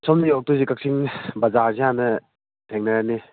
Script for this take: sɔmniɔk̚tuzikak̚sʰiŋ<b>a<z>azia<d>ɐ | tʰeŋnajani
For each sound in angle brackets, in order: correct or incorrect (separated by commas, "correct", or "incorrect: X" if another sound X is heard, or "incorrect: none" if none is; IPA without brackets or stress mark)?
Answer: correct, correct, incorrect: n